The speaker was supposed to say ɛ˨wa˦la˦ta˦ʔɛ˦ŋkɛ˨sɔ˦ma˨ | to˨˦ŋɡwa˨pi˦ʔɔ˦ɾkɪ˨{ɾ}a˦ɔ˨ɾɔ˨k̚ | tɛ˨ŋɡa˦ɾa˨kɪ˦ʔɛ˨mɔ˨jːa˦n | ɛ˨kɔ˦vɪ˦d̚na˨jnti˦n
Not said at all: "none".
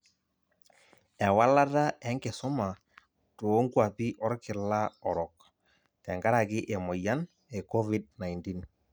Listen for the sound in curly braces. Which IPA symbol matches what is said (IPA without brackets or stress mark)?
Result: l